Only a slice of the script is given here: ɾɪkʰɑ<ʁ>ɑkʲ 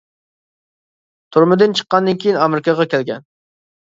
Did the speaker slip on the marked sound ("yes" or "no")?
no